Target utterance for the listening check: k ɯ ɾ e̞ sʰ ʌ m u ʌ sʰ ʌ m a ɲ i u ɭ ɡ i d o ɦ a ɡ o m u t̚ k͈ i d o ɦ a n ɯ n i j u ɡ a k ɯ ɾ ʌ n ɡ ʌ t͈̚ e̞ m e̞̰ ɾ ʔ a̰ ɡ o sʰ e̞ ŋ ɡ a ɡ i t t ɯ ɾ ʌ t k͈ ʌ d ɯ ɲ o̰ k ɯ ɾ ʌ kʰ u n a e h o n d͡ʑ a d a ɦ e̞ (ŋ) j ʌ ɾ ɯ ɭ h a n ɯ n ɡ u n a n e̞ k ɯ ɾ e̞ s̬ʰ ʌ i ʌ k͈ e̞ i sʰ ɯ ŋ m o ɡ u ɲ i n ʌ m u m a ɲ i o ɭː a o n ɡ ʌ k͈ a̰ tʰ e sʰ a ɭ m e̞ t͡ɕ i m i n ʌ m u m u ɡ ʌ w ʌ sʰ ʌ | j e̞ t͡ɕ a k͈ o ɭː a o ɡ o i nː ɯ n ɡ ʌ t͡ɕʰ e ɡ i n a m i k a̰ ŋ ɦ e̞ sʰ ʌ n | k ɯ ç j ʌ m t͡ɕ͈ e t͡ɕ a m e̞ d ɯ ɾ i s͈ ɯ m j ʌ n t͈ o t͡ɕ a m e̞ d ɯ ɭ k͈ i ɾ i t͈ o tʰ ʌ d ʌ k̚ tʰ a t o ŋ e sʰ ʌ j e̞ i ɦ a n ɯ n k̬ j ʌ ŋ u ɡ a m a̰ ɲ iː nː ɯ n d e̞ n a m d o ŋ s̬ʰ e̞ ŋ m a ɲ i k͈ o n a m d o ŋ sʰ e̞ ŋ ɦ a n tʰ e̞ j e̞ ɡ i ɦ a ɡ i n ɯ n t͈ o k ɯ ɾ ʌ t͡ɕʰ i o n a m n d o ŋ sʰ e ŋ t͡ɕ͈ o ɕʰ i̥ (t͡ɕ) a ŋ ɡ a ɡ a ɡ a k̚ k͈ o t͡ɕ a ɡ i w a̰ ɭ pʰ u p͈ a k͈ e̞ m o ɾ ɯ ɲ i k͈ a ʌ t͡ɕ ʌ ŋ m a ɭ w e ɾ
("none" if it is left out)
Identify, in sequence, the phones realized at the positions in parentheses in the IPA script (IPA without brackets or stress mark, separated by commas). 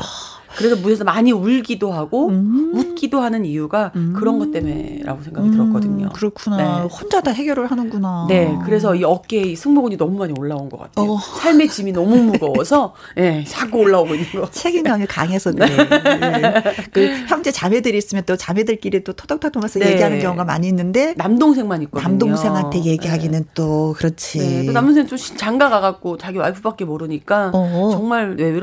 ɡ, t͡ɕ